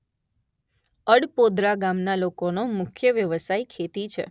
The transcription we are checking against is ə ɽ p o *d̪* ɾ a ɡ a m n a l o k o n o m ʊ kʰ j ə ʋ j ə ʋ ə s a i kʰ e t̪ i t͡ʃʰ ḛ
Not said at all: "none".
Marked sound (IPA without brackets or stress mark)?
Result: d̪